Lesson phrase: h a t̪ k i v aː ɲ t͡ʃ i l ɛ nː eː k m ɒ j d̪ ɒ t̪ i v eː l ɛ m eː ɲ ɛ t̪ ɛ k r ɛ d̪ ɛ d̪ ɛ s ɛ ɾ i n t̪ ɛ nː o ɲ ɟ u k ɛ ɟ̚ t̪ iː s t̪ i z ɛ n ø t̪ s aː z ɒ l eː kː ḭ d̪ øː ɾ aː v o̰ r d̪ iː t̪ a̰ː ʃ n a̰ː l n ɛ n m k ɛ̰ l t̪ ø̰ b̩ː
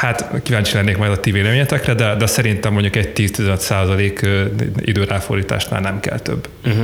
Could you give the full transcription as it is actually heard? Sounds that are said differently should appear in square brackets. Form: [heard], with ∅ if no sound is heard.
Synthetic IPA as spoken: h a t̪ k i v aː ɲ t͡ʃ i l ɛ nː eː k m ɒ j d̪ ɒ t̪ i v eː l ɛ m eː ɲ ɛ t̪ ɛ k r ɛ d̪ ɛ d̪ ɛ s ɛ ɾ i n t̪ ɛ [mː] o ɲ ɟ u k ɛ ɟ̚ t̪ iː s t̪ i z ɛ n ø t̪ s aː z ɒ l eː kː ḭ d̪ øː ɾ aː [f] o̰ r d̪ iː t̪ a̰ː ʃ n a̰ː l n ɛ [∅] m k ɛ̰ l t̪ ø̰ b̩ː